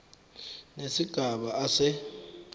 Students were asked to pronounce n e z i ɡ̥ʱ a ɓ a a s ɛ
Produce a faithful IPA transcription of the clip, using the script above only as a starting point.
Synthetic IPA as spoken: n e s i ɡ̥ʱ a ɓ a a s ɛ